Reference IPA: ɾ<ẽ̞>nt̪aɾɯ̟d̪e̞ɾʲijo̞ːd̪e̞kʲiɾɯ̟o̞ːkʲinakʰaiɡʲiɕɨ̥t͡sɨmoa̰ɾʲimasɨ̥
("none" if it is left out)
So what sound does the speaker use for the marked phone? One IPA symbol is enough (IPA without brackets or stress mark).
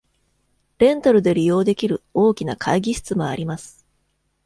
ẽ̞